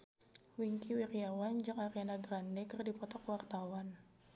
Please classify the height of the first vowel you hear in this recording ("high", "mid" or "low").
high